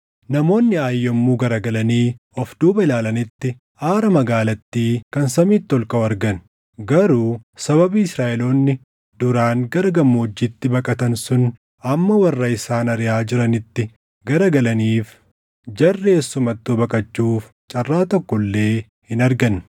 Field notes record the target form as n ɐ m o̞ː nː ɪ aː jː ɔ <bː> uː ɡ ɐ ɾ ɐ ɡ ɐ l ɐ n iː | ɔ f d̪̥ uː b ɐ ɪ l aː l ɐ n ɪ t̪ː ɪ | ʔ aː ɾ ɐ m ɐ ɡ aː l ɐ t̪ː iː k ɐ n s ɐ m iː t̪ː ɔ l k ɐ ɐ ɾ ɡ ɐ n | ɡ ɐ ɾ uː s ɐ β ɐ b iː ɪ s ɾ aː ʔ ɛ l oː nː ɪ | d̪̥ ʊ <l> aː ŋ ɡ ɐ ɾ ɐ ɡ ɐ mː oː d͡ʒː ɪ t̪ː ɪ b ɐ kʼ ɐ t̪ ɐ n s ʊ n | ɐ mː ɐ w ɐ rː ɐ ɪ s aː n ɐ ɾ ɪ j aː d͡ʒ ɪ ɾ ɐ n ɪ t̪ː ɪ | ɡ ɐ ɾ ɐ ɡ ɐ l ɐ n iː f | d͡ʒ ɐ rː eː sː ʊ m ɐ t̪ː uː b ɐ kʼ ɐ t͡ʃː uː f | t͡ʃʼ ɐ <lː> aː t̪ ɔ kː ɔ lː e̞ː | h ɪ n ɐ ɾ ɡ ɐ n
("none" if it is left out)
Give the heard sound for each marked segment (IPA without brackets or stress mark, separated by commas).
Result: mː, ɾ, rː